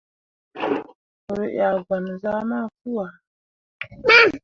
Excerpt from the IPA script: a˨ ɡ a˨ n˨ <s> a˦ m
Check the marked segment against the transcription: incorrect: z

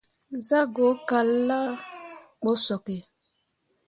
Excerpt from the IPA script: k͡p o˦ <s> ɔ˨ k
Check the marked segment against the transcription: correct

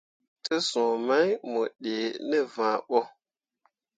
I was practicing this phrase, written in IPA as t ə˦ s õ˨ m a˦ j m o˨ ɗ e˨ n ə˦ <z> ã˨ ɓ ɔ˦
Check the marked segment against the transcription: incorrect: v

